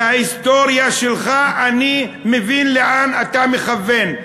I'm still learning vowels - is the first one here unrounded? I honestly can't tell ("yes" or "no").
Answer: yes